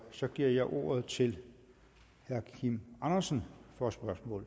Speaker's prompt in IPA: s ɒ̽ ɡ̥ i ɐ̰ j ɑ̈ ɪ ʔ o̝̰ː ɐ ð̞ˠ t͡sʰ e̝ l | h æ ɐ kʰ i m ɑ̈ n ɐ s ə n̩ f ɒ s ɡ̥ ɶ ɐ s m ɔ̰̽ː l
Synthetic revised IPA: s ɒ̽ ɡ̥ i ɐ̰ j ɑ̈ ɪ ʔ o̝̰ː ɐ ð̞ˠ t͡sʰ e̝ l | h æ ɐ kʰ i m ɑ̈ n ɐ s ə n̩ f ɒ s b̥ ɶ ɐ s m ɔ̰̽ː l